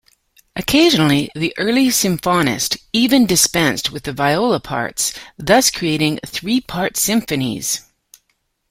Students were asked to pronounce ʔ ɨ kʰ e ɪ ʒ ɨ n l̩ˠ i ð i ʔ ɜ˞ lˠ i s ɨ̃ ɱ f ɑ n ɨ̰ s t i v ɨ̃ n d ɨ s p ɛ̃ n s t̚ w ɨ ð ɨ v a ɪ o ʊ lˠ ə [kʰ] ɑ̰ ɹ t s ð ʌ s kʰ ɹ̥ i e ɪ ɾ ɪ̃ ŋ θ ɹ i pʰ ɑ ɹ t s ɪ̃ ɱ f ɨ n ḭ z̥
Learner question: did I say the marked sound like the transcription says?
no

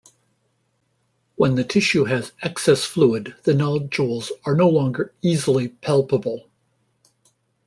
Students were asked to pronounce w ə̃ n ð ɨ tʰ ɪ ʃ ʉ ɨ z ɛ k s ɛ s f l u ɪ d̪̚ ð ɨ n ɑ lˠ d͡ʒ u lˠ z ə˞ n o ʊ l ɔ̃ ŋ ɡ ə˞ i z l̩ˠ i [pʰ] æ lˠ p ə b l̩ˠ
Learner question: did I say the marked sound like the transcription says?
yes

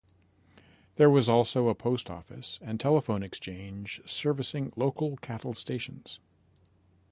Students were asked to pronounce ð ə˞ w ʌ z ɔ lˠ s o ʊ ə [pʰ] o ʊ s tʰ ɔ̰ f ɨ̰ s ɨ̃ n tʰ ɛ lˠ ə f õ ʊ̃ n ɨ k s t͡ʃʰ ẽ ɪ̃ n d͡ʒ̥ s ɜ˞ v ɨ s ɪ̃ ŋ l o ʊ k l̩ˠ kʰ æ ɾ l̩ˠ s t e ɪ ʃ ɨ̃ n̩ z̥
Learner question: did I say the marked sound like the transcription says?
yes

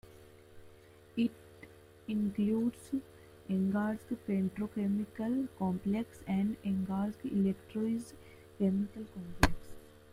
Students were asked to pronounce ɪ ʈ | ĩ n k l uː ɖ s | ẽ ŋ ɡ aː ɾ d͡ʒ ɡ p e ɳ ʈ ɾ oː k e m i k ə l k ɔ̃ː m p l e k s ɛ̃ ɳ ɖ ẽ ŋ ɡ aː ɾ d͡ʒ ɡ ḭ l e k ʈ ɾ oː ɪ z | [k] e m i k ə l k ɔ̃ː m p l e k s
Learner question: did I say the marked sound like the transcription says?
yes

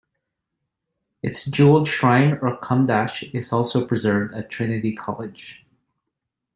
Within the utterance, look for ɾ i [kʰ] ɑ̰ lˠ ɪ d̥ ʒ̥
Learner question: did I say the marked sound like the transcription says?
yes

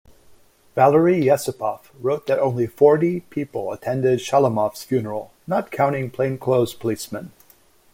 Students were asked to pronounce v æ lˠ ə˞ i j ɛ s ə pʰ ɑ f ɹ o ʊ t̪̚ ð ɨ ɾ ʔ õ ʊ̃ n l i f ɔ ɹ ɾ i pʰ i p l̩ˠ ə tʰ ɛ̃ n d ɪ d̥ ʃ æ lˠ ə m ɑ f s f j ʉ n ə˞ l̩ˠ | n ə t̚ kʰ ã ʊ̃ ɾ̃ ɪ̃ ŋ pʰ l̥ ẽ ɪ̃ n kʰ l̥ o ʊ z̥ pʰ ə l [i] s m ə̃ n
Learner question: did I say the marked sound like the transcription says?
yes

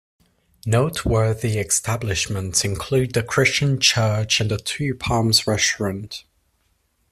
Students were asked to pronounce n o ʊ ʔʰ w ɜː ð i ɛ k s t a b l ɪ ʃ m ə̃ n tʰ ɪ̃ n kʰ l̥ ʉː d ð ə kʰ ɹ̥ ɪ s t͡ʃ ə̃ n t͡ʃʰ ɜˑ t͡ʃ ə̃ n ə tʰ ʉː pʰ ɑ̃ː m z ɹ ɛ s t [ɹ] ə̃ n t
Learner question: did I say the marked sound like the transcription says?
yes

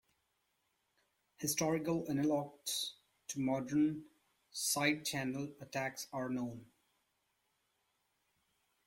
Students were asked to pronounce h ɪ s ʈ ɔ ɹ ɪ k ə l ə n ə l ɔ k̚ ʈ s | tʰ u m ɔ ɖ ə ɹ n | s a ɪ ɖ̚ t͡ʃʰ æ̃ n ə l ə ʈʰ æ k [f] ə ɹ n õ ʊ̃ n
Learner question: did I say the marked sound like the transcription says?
no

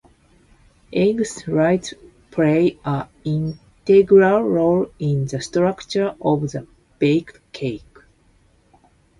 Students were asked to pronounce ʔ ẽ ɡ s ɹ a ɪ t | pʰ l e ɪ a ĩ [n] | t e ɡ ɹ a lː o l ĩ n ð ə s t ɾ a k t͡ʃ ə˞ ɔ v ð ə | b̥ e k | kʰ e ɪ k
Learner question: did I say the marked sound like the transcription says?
yes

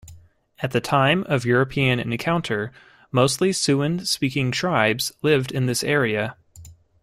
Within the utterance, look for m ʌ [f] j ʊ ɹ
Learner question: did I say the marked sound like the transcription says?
no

